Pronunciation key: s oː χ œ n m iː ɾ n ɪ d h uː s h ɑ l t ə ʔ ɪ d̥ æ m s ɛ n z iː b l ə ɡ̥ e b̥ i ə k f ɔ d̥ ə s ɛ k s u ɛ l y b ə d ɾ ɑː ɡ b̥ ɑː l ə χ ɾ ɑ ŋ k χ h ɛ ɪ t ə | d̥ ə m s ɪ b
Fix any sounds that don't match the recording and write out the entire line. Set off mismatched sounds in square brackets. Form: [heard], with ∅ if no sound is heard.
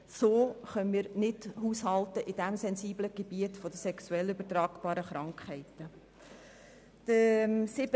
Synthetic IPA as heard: s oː χ œ n m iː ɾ n ɪ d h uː s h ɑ l t ə ʔ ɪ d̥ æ m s ɛ n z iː b l ə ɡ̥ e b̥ i ə [t] f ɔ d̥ ə s ɛ k s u ɛ l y b ə [t] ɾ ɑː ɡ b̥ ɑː [ɾ] ə χ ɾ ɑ ŋ k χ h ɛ ɪ t ə | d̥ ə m s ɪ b

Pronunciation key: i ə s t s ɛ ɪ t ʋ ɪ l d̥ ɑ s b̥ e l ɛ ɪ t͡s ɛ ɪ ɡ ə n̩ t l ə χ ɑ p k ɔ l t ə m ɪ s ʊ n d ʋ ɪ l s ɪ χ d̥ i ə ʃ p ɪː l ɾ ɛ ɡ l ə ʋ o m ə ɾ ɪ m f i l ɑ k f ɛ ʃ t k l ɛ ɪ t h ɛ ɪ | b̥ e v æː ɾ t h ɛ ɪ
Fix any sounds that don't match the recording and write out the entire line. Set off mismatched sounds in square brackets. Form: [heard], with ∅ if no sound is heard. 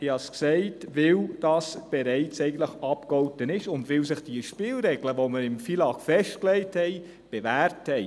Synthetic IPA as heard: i [ɑ] s [k] s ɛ ɪ t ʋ ɪ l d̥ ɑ s b̥ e [ɾ] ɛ ɪ t͡s ɛ ɪ ɡ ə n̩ t l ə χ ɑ p k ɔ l t ə [n] ɪ [ʃ] ʊ n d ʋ ɪ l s ɪ χ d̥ i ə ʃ p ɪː l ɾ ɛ ɡ l ə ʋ o m ə ɾ ɪ m f i l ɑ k f ɛ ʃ t k l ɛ ɪ t h ɛ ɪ | b̥ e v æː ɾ t h ɛ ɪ

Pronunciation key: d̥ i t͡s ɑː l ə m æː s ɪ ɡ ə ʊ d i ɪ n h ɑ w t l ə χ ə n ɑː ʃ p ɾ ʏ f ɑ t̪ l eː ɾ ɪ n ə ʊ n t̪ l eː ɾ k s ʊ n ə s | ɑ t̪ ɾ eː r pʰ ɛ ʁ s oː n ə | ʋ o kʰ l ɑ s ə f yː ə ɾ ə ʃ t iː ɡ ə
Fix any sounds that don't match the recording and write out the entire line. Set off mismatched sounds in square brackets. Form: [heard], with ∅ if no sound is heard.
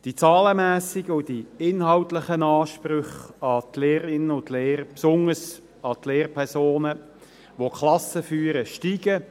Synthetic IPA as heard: d̥ i t͡s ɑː l ə m æː s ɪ ɡ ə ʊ d i ɪ n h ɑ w t l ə χ ə n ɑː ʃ p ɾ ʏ [χ] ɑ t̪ l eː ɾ ɪ n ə ʊ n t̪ l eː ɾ [p] s ʊ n ə s | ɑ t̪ [l] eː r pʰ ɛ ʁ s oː n ə | ʋ o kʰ l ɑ s ə f yː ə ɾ ə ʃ t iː ɡ ə

